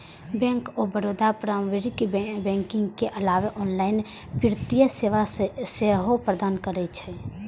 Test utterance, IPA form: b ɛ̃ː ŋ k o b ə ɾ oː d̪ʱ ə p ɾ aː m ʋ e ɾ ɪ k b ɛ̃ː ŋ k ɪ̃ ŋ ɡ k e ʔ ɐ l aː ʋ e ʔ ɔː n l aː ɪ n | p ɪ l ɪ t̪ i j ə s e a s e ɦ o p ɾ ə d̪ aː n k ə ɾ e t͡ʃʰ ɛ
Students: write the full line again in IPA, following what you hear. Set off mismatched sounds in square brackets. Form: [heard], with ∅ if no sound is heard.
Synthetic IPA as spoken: b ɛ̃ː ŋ k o b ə ɾ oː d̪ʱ [a] p ɾ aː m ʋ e ɾ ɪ k b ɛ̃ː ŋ k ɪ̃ ŋ ɡ k e ʔ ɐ l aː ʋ e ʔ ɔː n l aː ɪ n | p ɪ [ɾ] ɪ t̪ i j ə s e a s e ɦ o p ɾ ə d̪ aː n k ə ɾ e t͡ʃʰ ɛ